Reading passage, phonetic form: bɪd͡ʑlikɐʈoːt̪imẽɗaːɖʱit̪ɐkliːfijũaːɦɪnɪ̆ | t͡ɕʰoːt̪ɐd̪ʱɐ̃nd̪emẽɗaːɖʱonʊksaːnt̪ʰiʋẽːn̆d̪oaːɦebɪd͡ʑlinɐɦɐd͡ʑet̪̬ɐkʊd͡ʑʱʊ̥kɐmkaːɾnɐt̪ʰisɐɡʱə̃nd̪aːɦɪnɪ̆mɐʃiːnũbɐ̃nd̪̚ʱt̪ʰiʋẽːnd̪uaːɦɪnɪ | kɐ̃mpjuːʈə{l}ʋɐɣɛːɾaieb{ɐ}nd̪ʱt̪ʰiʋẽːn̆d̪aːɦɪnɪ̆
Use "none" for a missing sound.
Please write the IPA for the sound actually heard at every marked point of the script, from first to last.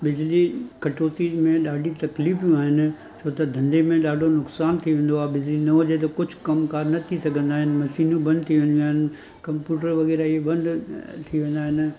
ɾ, ɐ̃

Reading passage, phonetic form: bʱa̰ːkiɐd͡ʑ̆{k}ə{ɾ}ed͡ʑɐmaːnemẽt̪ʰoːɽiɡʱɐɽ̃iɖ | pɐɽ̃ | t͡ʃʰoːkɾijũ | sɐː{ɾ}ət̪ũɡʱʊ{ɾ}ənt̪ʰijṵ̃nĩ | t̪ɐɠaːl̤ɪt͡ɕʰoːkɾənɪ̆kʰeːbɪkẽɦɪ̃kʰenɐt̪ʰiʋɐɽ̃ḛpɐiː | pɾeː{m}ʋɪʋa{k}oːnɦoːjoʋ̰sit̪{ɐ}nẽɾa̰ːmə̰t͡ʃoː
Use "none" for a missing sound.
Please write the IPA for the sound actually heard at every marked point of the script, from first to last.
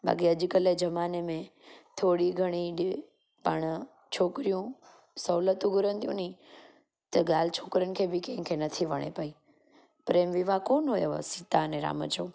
k, l, l, ɾ, m, k, a

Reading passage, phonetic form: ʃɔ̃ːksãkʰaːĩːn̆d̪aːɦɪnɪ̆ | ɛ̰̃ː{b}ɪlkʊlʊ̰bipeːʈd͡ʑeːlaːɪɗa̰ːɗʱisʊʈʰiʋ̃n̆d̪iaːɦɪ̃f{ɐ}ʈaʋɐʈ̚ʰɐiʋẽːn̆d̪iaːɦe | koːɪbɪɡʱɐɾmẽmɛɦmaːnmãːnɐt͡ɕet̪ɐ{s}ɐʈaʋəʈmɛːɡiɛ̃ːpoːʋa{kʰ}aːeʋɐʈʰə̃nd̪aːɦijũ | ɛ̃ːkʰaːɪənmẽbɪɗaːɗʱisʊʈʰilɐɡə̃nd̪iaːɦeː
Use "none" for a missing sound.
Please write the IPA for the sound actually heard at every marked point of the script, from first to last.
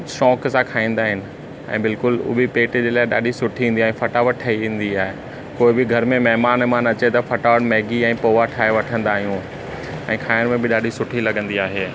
b, ɐ, f, ʈʰ

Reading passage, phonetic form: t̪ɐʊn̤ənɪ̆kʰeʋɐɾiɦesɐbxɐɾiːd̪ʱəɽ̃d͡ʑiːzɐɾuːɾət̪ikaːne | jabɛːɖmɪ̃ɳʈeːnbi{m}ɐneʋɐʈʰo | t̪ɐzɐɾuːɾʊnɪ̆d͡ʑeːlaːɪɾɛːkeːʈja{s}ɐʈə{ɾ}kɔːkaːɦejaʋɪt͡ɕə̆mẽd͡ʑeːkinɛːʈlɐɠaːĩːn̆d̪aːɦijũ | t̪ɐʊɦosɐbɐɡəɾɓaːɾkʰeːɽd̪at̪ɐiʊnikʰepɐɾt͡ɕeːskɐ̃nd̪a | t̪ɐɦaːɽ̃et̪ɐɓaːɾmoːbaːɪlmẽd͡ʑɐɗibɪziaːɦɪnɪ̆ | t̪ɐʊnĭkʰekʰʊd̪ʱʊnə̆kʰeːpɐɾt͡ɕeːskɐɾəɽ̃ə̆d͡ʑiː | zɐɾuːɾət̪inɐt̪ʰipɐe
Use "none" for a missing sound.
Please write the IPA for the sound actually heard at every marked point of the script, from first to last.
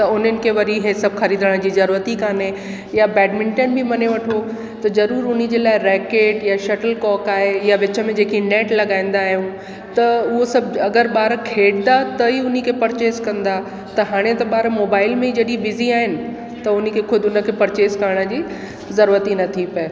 m, ʃ, l

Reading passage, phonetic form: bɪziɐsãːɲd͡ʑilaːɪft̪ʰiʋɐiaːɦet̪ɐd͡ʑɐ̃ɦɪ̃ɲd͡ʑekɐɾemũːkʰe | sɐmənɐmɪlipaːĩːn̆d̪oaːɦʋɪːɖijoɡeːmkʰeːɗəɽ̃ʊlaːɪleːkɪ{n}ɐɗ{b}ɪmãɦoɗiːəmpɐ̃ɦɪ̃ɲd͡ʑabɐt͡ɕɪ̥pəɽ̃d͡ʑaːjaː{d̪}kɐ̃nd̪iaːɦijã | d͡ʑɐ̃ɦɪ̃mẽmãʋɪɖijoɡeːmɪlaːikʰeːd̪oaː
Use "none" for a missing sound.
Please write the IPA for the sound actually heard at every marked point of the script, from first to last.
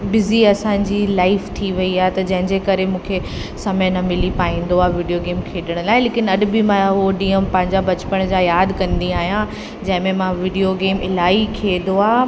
n, b, d̪

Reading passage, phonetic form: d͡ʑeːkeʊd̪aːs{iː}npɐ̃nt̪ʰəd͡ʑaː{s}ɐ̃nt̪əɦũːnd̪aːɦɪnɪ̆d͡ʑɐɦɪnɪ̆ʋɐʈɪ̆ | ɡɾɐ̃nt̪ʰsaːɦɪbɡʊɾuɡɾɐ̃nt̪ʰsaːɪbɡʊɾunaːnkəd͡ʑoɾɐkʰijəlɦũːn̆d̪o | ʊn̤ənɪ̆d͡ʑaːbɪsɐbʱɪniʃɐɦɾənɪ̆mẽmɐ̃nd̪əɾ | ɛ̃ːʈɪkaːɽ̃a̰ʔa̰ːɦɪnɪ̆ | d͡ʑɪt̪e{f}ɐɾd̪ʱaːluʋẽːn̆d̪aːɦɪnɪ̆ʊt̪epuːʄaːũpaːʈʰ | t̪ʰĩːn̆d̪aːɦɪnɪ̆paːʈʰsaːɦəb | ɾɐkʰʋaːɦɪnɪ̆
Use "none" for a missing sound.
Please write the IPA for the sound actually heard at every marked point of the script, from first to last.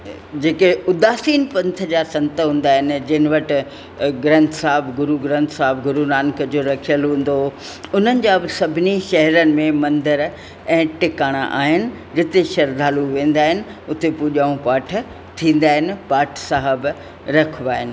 iː, s, ʃ

